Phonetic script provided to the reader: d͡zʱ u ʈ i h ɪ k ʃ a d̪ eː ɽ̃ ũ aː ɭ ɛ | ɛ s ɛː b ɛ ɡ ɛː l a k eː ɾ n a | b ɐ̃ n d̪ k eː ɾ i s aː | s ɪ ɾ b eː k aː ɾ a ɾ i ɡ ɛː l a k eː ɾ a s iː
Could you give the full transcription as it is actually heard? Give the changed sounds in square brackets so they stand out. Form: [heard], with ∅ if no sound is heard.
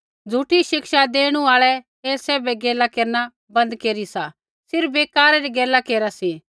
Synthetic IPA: d͡zʱ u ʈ i [ʃ] ɪ k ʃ a d̪ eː ɽ̃ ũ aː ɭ ɛ | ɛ s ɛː b ɛ ɡ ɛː l a k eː ɾ n a | b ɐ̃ n d̪ k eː ɾ i s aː | s ɪ ɾ b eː k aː ɾ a ɾ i ɡ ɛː l a k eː ɾ a s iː